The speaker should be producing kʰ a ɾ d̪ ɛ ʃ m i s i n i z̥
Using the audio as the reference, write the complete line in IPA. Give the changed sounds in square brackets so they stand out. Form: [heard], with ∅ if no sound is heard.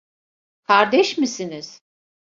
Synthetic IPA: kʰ a ɾ d̪ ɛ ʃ m i s i n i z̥